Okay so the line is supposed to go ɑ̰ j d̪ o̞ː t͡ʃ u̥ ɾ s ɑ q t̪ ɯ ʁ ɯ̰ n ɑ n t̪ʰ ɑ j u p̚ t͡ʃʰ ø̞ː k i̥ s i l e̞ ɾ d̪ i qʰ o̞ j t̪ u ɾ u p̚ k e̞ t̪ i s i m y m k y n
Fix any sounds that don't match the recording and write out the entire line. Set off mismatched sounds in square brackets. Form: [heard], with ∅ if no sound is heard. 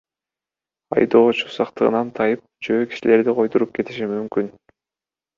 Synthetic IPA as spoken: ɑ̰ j d̪ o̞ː t͡ʃ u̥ [∅] s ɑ q t̪ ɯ ʁ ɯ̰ n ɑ n t̪ʰ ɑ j [ɯ] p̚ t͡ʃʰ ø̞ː k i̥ [ʃ] i l e̞ ɾ d̪ i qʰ o̞ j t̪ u ɾ u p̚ k e̞ t̪ i [ʃ] i m y m k y n